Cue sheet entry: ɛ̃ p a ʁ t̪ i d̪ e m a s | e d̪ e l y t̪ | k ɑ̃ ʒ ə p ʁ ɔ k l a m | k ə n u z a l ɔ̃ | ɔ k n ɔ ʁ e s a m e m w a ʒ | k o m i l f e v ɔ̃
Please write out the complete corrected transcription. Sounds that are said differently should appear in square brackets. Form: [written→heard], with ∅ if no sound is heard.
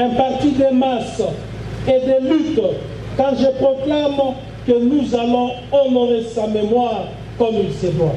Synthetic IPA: ɛ̃ p a ʁ t̪ i d̪ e m a s | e d̪ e l y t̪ | k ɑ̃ ʒ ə p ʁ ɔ k l a m | k ə n u z a l ɔ̃ | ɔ [k→∅] n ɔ ʁ e s a m e m w a [ʒ→ʁ] | k [o→ɔ] m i l [f→s] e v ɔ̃